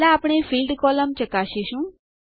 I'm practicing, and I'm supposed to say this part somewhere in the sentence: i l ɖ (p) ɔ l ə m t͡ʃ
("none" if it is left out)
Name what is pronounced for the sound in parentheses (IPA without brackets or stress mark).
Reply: k